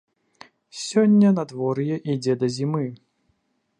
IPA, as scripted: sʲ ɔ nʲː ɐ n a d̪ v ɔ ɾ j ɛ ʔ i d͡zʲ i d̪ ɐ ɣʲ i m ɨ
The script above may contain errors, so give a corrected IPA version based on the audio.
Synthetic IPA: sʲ ɔ nʲː ɐ n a d̪ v ɔ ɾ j ɛ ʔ i d͡zʲ ɛ d̪ ɐ zʲ i m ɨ